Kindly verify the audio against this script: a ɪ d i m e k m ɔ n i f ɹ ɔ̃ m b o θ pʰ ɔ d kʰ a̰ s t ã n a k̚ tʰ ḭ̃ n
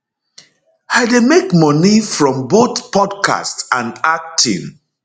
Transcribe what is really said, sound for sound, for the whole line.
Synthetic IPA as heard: a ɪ d e m e k m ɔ n i f ɹ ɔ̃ m b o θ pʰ ɔ d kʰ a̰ s t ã n a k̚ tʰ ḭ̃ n